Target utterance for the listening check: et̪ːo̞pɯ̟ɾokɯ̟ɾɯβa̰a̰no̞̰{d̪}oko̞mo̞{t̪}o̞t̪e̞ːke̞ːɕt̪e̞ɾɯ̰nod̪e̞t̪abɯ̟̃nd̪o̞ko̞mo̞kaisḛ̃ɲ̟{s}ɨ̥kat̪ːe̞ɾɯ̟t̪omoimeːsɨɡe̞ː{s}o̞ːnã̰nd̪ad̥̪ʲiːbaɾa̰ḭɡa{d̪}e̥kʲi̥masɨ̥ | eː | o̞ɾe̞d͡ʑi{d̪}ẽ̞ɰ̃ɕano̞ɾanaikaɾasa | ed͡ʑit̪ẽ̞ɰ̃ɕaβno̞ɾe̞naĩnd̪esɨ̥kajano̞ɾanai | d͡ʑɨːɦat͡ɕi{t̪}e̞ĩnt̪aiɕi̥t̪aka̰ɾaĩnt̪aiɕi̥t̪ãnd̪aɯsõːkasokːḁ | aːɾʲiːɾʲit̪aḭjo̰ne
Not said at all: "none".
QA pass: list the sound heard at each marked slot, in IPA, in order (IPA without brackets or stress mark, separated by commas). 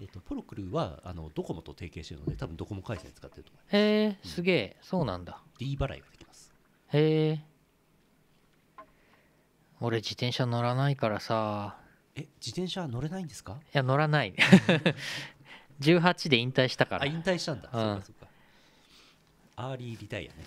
d̪, t̪, t͡s, s, d̪, t̪, d̪